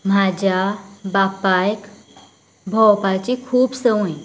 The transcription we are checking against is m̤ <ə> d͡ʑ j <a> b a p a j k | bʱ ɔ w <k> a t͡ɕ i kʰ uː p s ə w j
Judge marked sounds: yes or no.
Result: no, yes, no

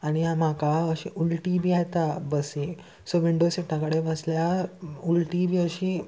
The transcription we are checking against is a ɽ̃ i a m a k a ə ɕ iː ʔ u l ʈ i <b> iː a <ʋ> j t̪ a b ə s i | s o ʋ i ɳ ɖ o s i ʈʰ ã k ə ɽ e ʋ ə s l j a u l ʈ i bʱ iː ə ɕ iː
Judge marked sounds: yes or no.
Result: yes, no

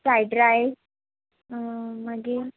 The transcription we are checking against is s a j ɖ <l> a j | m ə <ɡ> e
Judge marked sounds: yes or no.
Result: no, yes

